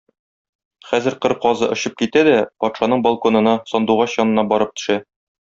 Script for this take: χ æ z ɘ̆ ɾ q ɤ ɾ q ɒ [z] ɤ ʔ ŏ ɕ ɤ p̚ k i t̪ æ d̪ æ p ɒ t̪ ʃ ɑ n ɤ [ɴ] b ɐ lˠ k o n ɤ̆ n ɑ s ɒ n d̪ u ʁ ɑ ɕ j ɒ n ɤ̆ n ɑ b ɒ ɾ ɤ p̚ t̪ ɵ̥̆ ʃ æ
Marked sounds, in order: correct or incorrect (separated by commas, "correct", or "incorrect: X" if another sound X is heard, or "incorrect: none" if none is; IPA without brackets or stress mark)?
correct, correct